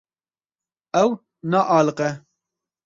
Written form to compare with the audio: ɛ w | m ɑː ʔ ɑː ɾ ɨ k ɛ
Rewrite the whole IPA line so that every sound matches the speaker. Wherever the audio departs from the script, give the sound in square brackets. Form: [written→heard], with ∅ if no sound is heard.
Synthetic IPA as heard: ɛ w | [m→n] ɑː ʔ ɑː [ɾ→l] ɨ [k→q] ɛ